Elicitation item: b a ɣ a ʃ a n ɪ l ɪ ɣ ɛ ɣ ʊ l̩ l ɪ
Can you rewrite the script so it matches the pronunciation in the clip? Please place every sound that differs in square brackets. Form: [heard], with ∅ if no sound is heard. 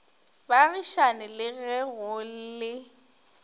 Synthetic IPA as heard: b a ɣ [i] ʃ a n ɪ l ɪ ɣ ɛ ɣ ʊ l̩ l ɪ